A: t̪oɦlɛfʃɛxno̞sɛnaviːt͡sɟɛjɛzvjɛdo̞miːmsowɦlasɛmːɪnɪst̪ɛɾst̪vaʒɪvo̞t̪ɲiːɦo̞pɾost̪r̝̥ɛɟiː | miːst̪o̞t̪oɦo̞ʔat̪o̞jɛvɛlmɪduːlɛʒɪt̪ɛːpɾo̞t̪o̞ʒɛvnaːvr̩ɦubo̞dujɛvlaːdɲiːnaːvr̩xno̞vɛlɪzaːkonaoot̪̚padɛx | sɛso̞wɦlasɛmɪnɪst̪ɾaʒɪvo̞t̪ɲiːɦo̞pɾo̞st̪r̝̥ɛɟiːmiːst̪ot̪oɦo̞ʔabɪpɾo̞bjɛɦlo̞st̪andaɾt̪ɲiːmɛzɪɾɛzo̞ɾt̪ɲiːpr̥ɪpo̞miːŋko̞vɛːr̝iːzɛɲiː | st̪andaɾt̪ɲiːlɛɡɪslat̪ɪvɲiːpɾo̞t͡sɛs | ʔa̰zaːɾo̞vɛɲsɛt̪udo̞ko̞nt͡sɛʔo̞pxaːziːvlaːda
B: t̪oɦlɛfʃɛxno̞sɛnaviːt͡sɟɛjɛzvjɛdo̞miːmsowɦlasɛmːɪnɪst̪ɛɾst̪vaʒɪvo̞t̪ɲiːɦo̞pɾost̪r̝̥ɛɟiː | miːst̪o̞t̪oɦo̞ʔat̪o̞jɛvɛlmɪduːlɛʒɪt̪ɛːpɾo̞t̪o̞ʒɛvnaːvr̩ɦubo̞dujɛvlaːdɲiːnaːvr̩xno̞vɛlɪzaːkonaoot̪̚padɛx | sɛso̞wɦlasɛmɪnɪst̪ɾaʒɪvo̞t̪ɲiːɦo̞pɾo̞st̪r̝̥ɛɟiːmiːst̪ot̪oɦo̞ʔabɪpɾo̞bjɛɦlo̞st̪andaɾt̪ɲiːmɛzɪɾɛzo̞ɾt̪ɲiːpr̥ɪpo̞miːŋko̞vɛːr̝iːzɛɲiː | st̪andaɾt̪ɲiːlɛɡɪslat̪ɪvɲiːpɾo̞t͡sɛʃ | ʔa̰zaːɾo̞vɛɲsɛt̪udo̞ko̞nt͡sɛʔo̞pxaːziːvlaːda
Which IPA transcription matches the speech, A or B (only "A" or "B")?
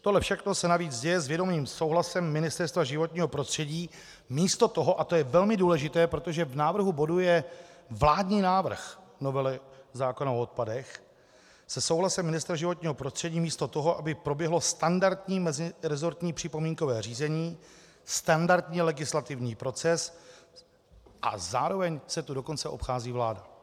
A